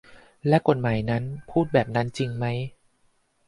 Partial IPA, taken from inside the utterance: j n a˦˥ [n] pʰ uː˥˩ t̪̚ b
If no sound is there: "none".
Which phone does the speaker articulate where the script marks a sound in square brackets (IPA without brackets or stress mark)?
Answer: n